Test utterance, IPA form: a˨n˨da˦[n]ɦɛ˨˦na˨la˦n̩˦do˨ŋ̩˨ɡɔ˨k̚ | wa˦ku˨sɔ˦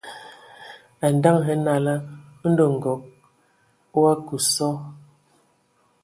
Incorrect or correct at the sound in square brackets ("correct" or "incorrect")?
incorrect